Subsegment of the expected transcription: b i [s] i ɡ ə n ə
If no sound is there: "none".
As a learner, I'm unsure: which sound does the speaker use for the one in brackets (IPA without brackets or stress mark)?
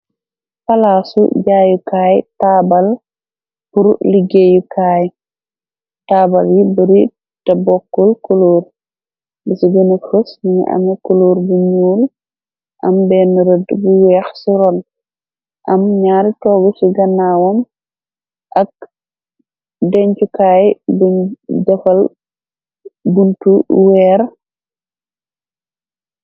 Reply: s